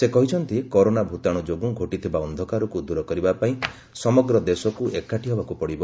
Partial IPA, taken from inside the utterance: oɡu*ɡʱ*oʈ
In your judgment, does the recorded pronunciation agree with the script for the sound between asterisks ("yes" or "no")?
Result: yes